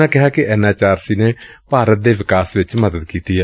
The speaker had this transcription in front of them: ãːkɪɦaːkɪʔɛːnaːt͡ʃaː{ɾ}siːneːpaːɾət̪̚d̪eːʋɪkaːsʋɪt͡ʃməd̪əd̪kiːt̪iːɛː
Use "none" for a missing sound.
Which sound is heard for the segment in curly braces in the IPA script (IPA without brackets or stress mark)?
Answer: ɾ